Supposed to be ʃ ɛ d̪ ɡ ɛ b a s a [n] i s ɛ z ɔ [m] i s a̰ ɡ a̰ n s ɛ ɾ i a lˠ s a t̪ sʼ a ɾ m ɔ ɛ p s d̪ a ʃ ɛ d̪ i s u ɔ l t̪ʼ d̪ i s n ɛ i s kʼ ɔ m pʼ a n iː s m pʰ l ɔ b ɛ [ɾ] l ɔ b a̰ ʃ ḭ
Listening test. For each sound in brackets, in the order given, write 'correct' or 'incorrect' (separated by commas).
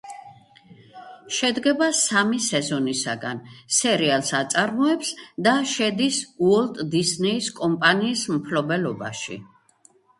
incorrect, incorrect, incorrect